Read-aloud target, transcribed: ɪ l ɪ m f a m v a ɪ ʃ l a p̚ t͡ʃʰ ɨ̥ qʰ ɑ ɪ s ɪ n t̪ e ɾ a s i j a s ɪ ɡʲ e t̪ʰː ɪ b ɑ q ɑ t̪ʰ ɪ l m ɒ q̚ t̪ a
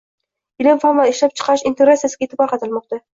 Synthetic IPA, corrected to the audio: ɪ l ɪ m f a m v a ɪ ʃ l a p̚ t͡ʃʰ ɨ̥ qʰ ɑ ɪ ʃ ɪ n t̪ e ɾ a s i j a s ɪ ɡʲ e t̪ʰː ɪ b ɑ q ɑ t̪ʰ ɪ l m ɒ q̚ t̪ a